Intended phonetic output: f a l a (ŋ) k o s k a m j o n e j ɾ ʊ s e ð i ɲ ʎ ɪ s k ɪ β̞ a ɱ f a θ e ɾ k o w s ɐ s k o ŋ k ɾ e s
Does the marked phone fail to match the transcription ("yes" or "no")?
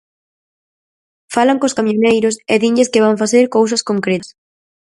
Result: no